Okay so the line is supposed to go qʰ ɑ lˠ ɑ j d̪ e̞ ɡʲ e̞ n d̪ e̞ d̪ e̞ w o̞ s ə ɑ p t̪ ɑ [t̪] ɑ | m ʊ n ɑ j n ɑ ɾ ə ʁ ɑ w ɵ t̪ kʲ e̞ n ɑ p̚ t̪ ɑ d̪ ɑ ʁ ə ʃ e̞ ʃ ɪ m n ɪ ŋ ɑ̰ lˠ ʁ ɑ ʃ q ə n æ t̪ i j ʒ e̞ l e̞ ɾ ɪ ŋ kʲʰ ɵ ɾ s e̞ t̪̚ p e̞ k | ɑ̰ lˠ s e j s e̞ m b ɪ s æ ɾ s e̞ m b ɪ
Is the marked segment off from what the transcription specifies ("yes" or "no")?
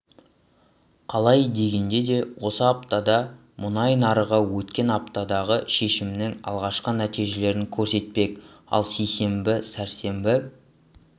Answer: yes